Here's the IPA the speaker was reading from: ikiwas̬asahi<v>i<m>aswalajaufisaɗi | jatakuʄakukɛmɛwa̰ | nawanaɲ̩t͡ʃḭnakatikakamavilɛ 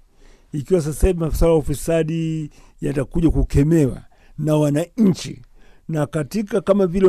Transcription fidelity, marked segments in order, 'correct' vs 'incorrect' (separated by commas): correct, correct